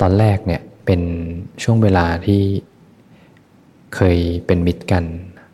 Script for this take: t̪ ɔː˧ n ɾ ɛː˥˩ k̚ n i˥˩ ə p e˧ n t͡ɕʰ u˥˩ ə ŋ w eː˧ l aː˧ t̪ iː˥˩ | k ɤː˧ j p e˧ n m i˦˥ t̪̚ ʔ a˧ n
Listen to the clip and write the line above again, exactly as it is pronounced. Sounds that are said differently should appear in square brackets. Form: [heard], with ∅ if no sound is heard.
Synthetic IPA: t̪ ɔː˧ n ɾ ɛː˥˩ k̚ n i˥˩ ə p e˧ n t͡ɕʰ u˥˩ ə ŋ w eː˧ l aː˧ [t̪ʰ] iː˥˩ | [kʰ] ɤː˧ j p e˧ n m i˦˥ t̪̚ [k] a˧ n